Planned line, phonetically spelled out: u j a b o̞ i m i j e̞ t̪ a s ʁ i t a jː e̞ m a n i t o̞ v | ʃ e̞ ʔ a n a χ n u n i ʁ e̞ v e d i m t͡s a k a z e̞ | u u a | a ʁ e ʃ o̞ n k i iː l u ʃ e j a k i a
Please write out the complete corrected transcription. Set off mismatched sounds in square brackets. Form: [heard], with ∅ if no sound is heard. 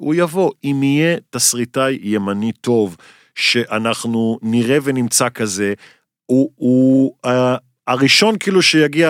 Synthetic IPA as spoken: u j a [v] o̞ i m i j e̞ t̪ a s ʁ i t a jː e̞ m a n i t o̞ v | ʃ e̞ ʔ a n a χ n u n i ʁ e̞ v e [n] i m t͡s a k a z e̞ | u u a | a ʁ [i] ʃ o̞ n k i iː l u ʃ e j a [ɡ] i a